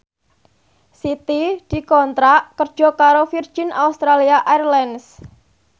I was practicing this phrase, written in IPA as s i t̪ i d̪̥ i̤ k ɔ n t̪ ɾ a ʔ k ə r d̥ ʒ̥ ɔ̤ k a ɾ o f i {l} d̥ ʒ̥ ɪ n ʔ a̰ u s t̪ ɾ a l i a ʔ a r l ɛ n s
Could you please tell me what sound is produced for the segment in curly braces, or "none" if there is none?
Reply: r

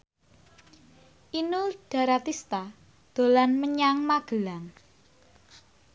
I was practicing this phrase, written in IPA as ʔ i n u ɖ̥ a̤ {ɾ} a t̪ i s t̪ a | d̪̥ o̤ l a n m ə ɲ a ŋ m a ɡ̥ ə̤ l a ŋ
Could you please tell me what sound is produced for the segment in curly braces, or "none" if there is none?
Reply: ɾ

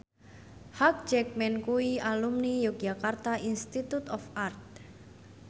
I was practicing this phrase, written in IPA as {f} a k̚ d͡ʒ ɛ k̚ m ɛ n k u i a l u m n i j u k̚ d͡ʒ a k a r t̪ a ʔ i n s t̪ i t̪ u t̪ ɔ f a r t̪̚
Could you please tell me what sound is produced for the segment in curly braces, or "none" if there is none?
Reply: h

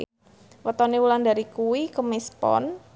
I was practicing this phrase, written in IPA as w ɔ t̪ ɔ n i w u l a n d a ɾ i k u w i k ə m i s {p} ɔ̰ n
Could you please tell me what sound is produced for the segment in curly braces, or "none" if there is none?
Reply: p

